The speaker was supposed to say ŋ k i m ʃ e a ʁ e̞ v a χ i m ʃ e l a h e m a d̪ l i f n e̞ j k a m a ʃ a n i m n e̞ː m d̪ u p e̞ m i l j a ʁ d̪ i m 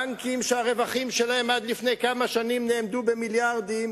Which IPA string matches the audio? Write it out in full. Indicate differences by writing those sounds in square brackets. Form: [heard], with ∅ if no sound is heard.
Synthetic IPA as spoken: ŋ k i m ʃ e a ʁ e̞ v a χ i m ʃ e l a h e m a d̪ l i f n e̞ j k a m a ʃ a n i m n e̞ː m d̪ u [b] e̞ m i l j a ʁ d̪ i m